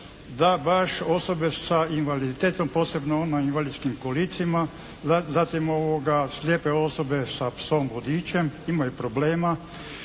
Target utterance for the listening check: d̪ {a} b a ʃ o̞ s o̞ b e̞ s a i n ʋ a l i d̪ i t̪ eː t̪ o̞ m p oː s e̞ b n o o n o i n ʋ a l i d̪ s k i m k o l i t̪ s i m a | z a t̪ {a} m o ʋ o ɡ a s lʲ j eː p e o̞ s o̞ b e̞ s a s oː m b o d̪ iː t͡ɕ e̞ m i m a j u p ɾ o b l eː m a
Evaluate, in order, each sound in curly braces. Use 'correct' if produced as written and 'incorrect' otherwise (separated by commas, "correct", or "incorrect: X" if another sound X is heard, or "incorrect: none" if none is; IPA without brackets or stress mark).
correct, incorrect: i